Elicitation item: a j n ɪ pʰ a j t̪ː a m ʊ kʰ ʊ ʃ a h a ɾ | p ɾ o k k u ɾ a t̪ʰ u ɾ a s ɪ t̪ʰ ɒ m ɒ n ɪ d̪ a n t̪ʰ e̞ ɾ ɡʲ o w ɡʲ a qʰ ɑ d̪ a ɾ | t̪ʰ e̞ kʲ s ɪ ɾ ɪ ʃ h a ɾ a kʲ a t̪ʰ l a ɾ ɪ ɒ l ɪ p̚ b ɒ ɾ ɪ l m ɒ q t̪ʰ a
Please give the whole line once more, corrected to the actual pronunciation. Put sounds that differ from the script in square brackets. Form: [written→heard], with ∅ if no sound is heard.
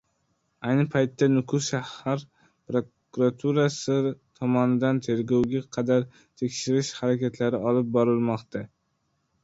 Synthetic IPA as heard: a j n ɪ pʰ a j t̪ː a [m→n] ʊ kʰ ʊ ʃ a h a ɾ | p ɾ o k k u ɾ a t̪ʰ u ɾ a s ɪ t̪ʰ ɒ m ɒ n ɪ d̪ a n t̪ʰ e̞ ɾ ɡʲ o w ɡʲ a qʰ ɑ d̪ a ɾ | t̪ʰ e̞ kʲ [s→ʃ] ɪ ɾ ɪ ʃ h a ɾ a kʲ a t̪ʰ l a ɾ ɪ ɒ l ɪ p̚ b ɒ ɾ ɪ l m ɒ q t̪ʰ a